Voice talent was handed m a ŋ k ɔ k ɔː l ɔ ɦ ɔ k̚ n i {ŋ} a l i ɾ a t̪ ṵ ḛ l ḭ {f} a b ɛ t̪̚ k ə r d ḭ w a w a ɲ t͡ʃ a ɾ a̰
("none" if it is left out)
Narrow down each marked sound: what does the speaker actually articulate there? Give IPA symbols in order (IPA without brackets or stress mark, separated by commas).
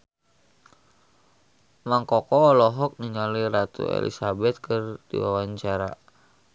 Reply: ɲ, s